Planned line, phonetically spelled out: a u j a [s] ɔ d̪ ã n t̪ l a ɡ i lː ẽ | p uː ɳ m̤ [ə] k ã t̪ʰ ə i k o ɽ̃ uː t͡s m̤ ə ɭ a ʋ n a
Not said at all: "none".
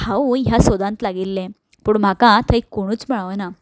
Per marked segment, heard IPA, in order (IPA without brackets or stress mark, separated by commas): s, a